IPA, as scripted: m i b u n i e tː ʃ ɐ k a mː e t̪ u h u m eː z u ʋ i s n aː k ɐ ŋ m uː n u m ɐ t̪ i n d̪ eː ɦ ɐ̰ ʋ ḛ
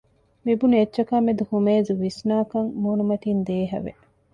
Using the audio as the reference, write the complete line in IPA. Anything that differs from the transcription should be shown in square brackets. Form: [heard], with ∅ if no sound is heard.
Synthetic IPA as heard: m i b u n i e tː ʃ ɐ k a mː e [d̪] u h u m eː z u ʋ i s n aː k ɐ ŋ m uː n u m ɐ t̪ i n d̪ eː ɦ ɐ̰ ʋ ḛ